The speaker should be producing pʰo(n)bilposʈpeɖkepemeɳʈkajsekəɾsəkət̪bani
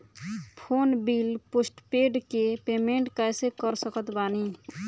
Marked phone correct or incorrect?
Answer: correct